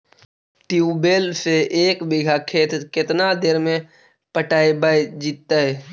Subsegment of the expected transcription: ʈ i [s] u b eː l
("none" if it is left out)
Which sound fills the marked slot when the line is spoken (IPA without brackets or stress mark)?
none